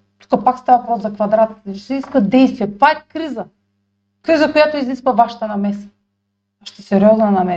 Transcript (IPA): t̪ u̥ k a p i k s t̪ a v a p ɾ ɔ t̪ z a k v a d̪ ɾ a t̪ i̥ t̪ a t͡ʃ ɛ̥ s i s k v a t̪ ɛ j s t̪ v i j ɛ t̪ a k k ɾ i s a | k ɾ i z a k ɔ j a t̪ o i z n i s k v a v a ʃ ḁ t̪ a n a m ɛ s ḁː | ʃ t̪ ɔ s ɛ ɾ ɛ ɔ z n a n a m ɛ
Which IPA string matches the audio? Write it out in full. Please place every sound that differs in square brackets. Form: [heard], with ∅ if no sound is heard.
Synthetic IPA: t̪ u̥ k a p [a] k s t̪ a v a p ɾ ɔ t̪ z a k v a d̪ ɾ a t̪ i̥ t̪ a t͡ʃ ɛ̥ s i s k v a [d̪] ɛ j s t̪ v i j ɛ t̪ a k k ɾ i [z] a | k ɾ i z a k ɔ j a t̪ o i z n i s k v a v a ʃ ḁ t̪ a n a m ɛ s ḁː | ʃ t̪ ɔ s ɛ ɾ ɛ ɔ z n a n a m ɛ